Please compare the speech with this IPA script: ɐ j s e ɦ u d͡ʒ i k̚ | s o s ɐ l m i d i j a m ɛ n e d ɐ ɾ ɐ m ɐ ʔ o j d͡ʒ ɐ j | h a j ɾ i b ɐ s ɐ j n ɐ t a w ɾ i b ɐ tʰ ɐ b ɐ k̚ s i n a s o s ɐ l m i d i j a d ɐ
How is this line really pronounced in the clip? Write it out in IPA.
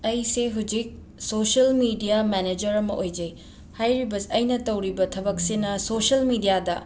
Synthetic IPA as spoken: ɐ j s e ɦ u d͡ʒ i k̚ | s o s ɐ l m i d i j a m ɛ n e d͡ʒ ɐ ɾ ɐ m ɐ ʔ o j d͡ʒ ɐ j | h a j ɾ i b ɐ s ɐ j n ɐ t ɐ w ɾ i b ɐ tʰ ɐ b ɐ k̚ s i n ɐ s o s ɐ l m i d i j a d ɐ